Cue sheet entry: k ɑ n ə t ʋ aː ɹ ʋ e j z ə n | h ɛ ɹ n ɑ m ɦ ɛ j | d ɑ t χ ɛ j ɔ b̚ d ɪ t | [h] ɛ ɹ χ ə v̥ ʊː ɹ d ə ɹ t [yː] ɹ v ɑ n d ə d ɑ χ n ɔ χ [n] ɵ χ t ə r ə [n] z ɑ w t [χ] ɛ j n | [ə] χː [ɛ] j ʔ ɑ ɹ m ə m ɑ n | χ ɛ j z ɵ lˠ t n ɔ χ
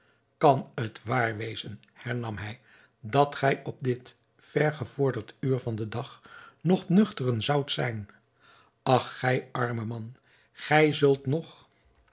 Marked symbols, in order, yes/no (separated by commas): no, yes, yes, yes, no, no, yes